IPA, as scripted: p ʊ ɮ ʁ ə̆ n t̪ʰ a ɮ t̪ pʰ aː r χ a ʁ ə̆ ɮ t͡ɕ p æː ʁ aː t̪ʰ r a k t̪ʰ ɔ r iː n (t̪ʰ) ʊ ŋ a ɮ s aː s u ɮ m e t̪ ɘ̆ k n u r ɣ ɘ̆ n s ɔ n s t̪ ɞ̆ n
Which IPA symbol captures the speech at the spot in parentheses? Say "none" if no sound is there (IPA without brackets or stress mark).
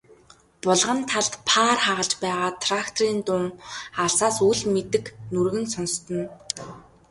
t̪